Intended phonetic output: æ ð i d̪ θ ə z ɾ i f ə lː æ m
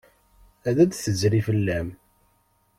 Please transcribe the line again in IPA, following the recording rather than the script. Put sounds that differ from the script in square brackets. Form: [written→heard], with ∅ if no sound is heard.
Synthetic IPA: æ ð [i→æ] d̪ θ ə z ɾ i f ə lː æ m